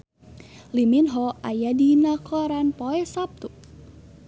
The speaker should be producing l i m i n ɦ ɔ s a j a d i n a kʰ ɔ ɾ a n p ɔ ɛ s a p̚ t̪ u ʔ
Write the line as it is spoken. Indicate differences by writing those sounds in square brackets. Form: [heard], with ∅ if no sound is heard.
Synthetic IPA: l i m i n ɦ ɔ [∅] a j a d i n a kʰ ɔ ɾ a n p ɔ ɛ s a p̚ t̪ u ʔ